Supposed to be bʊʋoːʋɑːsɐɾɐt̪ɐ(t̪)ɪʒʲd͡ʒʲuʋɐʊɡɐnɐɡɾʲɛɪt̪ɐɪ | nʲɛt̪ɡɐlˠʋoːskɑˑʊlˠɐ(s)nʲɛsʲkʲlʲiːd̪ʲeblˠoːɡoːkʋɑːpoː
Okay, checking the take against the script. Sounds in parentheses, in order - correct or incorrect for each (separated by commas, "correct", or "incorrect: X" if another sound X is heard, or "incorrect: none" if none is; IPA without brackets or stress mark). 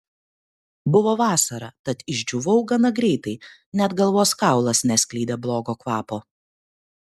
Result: correct, correct